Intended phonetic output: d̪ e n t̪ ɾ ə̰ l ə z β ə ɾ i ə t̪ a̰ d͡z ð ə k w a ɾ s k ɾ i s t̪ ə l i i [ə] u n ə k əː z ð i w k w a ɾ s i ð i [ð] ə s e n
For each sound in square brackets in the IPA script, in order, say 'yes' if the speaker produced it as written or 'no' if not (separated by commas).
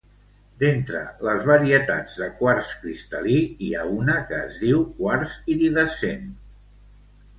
no, yes